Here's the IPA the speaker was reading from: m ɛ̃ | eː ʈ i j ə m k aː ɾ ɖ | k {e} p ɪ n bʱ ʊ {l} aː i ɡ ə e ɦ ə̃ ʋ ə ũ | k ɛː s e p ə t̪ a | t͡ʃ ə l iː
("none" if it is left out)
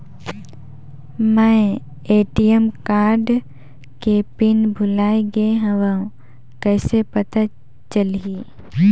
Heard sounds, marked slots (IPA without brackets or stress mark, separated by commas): e, l